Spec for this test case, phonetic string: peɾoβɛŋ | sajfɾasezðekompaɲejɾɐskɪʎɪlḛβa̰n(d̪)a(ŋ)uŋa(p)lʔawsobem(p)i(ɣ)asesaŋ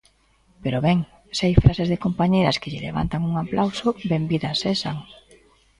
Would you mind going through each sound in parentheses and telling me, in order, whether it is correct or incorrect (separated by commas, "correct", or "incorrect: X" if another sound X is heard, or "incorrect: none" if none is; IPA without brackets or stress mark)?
incorrect: t̪, correct, correct, incorrect: b, incorrect: ð